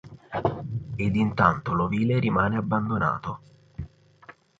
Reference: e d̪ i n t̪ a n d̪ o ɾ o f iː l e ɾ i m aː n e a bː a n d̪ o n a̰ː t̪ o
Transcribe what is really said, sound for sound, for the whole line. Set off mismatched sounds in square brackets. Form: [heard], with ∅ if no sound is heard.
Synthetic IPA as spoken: e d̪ i n t̪ a n [t̪] o [l] o [v] iː l e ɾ i m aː n e a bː a n d̪ o n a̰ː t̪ o